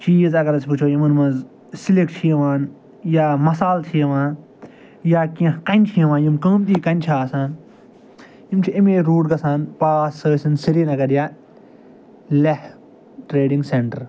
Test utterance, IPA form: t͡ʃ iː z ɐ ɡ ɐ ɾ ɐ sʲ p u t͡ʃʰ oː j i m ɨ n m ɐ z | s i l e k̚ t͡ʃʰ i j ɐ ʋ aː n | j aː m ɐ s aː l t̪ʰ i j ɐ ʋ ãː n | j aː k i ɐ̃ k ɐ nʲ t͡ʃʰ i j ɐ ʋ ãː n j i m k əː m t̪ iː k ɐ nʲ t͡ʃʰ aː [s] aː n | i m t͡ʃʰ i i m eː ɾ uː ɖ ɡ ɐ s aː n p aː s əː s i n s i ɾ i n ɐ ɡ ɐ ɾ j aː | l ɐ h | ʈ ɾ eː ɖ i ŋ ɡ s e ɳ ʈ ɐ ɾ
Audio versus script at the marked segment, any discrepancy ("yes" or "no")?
no